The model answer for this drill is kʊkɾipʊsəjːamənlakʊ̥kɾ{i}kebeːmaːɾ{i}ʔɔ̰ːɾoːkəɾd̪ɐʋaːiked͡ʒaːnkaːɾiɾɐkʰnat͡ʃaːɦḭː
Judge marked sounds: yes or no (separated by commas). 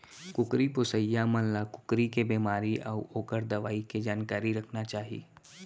yes, yes